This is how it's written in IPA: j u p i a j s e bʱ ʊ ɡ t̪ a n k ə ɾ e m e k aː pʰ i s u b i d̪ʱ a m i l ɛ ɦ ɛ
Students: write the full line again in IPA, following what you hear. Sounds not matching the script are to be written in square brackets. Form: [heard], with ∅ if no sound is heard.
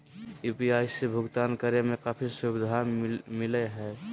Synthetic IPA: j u p i a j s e bʱ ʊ ɡ t̪ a n k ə ɾ e m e k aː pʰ i s u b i d̪ʱ a m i l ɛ ɦ ɛ